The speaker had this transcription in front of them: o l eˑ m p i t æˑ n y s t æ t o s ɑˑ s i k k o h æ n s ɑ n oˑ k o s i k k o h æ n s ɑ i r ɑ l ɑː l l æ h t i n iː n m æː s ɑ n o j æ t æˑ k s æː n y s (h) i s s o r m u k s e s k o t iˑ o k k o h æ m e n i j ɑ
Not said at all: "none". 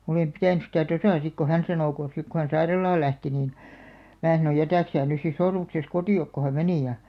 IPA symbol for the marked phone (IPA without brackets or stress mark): s